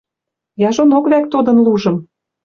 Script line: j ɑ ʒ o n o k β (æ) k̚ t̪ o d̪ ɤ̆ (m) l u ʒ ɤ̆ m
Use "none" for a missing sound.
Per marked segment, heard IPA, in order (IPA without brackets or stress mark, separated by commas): æ, n